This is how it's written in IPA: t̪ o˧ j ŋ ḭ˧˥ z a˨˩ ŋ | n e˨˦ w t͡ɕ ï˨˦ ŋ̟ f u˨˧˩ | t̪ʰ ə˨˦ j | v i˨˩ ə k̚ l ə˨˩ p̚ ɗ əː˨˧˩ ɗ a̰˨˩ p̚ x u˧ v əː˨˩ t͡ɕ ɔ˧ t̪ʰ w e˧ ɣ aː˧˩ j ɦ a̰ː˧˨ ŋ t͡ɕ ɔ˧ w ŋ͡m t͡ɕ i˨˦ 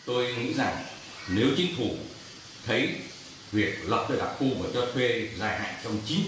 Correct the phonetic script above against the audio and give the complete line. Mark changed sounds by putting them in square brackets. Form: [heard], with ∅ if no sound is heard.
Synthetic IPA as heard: t̪ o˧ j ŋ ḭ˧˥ z a˨˩ ŋ | n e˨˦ w t͡ɕ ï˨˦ ŋ̟ f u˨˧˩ | t̪ʰ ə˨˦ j | v i˨˩ ə k̚ l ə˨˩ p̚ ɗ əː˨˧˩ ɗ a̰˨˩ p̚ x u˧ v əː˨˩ t͡ɕ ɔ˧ t̪ʰ w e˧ [z] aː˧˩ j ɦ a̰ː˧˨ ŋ t͡ɕ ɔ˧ w ŋ͡m t͡ɕ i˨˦